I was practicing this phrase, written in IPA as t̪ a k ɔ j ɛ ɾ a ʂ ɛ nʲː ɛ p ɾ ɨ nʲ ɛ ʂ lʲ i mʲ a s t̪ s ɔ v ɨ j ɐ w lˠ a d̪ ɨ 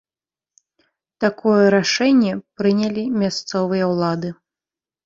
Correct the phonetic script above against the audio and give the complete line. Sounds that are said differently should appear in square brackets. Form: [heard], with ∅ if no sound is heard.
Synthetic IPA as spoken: t̪ a k ɔ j ɛ ɾ a ʂ ɛ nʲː ɛ p ɾ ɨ nʲ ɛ [∅] lʲ i mʲ a s t̪ s ɔ v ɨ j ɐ w lˠ a d̪ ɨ